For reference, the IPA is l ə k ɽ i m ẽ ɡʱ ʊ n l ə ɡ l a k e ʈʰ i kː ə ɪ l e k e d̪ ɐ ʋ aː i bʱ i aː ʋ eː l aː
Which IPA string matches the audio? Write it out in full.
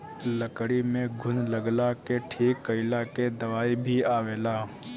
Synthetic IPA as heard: l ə k ɽ i m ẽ ɡʱ ʊ n l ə ɡ l a k e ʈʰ iː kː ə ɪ l a k e d̪ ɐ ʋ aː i bʱ i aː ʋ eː l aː